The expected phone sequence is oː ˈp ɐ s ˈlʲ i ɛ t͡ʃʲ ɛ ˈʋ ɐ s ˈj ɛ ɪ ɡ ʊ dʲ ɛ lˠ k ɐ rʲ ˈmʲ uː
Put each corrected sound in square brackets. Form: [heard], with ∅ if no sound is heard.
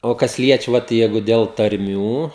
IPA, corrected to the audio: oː [ˈk] ɐ s ˈlʲ i ɛ t͡ʃʲ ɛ ˈʋ ɐ [t] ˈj ɛ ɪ ɡ ʊ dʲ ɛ lˠ [t] ɐ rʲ ˈmʲ uː